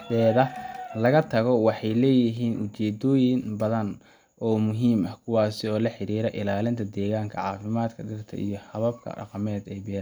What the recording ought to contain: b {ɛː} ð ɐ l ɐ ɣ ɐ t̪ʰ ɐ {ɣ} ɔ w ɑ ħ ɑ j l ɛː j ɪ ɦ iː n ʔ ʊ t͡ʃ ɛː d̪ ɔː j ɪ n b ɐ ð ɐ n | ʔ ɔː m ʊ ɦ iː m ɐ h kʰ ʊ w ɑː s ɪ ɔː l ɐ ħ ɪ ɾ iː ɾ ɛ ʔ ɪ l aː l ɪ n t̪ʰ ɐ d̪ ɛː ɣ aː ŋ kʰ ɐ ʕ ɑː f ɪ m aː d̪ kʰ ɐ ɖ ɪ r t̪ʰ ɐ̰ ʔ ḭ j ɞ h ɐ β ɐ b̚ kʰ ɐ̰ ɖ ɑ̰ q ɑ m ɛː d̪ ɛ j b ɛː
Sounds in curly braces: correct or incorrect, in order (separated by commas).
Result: correct, correct